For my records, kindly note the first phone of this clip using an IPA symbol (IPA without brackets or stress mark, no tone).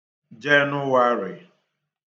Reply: d͡ʒ